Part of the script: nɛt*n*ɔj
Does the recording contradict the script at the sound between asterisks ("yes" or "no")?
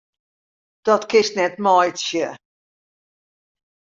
yes